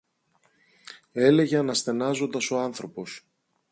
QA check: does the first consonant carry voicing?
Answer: yes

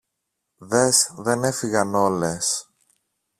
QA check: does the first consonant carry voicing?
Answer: yes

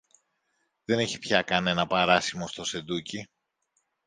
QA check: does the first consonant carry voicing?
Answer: yes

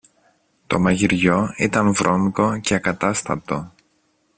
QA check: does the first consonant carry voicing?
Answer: no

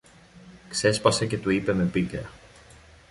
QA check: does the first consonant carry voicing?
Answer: no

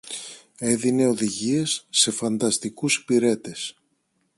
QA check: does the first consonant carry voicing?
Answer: yes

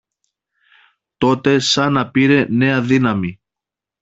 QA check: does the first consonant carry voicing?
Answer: no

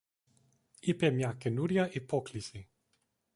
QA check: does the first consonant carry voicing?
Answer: no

